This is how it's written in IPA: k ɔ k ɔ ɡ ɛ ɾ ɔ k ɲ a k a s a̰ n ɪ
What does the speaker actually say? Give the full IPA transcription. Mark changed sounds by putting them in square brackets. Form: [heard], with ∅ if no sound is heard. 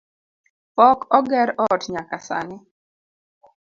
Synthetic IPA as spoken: [p] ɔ k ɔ ɡ ɛ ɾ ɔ [t] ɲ a k a s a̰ n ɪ